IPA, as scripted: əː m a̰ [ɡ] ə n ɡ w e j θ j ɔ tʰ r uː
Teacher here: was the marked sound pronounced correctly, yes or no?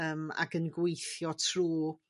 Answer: yes